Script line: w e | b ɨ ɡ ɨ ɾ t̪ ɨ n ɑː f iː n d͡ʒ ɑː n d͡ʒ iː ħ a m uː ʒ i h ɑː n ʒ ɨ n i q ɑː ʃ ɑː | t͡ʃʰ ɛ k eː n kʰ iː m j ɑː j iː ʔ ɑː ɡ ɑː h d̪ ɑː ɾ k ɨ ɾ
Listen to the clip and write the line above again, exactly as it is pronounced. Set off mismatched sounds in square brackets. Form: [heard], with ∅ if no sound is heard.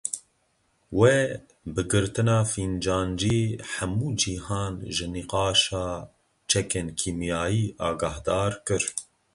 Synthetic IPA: w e | b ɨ ɡ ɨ ɾ t̪ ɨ n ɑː f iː n d͡ʒ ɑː n d͡ʒ iː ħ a m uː [d͡ʒ] i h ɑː n ʒ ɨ n i q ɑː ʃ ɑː | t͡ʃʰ ɛ k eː n kʰ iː m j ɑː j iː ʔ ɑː ɡ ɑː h d̪ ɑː ɾ k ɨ ɾ